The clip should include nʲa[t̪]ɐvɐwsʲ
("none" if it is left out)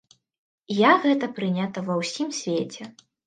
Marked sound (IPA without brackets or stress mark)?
t̪